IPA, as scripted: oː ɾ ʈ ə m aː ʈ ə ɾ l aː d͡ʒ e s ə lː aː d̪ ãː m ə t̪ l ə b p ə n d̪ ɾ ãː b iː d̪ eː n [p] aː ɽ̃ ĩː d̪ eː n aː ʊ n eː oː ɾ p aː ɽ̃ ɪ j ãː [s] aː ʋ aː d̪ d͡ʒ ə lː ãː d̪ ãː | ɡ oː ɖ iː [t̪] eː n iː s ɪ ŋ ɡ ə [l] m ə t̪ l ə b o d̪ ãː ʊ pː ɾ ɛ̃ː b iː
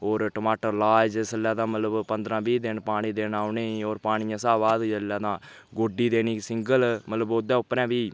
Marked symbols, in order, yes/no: yes, yes, no, yes

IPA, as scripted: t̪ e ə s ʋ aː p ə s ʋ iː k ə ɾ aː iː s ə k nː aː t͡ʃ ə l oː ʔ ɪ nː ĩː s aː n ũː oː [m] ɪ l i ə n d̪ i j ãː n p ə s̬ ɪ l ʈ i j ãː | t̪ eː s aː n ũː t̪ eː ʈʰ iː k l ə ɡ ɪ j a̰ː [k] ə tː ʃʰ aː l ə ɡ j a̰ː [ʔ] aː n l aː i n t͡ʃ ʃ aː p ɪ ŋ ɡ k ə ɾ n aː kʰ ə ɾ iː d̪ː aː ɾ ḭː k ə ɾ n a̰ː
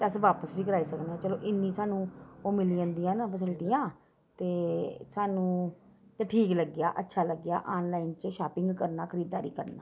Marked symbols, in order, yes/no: yes, no, yes

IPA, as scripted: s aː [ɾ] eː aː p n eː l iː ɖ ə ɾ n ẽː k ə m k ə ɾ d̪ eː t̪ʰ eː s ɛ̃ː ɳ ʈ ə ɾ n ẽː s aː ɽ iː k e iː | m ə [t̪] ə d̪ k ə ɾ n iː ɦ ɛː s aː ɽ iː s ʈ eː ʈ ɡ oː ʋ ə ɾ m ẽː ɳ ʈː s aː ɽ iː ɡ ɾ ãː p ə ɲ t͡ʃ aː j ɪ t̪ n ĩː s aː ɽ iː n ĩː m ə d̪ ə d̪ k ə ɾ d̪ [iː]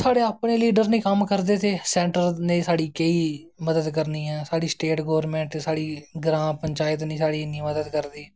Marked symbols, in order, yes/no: no, no, yes

